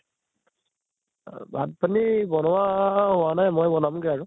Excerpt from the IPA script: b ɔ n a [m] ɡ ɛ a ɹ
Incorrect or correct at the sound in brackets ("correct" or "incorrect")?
correct